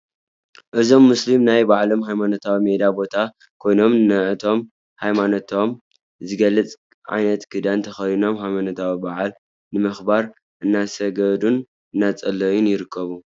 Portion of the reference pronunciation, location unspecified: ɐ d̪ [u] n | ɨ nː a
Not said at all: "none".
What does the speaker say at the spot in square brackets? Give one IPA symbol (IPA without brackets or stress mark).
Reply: u